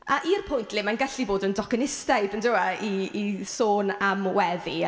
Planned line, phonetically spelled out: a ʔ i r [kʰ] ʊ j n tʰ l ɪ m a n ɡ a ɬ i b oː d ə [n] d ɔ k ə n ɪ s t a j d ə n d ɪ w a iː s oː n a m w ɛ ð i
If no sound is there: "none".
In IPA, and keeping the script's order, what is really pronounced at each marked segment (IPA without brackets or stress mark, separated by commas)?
pʰ, n